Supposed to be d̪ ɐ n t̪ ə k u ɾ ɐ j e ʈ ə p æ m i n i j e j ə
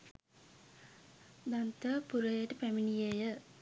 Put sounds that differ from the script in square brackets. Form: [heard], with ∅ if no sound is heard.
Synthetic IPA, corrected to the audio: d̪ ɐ n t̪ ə [p] u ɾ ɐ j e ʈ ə p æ m i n i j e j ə